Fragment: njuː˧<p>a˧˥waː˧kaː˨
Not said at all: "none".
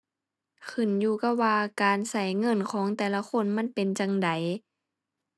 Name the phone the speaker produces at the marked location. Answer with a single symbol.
k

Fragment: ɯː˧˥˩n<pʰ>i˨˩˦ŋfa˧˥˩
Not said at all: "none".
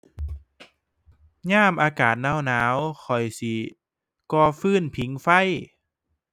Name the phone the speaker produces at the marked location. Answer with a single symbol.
pʰ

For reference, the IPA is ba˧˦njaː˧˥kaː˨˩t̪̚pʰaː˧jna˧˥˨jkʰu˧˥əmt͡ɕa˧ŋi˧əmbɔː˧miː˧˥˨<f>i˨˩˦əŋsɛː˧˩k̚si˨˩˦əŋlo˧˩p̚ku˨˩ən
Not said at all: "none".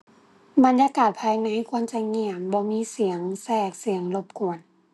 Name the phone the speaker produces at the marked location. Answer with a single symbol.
s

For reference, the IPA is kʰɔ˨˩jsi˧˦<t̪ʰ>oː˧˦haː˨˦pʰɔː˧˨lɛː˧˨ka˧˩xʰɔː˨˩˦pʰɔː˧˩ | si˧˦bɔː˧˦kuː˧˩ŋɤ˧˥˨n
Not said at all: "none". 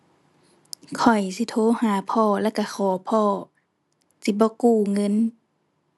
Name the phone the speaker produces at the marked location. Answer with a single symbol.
t̪ʰ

